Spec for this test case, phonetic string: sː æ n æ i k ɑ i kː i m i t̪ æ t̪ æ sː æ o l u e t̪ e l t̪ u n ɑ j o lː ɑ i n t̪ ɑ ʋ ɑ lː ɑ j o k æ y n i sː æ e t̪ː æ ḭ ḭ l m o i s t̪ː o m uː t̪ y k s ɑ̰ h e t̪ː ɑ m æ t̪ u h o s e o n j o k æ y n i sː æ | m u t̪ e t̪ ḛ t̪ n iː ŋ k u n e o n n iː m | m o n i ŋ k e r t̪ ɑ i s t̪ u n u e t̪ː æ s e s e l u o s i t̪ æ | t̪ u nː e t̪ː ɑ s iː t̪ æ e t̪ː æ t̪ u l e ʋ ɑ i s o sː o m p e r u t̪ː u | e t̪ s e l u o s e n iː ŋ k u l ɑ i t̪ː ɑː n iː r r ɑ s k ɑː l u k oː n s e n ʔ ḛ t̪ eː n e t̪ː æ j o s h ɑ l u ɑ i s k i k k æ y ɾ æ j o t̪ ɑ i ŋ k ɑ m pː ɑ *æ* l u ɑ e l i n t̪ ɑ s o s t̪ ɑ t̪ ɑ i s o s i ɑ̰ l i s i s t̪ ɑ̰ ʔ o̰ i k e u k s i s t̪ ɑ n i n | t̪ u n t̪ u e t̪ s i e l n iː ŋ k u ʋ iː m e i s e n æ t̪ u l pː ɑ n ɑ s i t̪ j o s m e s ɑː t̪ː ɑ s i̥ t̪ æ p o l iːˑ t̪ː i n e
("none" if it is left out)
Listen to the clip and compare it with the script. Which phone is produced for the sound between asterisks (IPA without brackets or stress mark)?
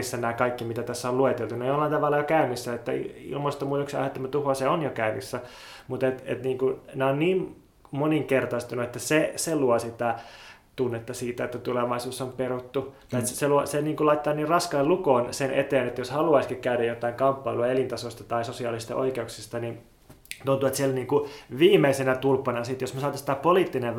i